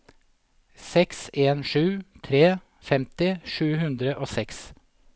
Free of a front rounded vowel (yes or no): yes